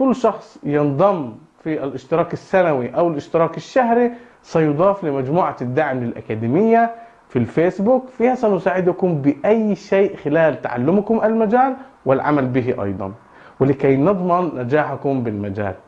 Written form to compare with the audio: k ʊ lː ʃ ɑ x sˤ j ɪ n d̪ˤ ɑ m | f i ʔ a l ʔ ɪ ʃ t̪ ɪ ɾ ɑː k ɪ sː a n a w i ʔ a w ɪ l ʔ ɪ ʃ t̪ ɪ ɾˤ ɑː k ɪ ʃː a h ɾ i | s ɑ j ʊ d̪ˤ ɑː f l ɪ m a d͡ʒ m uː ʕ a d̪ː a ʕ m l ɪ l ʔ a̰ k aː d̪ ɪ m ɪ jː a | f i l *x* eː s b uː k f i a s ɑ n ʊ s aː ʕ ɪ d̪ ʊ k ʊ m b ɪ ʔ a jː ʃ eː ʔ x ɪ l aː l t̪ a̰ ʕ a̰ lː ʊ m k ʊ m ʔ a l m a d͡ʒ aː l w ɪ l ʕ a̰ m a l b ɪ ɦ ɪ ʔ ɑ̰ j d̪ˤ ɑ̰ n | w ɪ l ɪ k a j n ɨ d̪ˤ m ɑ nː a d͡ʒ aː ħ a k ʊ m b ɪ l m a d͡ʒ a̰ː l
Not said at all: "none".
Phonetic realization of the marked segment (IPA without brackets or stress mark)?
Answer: f